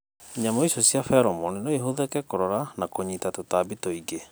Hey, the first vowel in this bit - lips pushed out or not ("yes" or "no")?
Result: no